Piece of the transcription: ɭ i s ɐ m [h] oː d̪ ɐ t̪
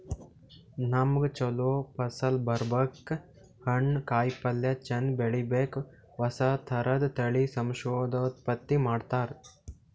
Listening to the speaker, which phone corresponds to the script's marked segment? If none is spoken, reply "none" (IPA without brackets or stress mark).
ʃ